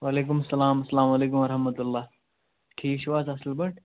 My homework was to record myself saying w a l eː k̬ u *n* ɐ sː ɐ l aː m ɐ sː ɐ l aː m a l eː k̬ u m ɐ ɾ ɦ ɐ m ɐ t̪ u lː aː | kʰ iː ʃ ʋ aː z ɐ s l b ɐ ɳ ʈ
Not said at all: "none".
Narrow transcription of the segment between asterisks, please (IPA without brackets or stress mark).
m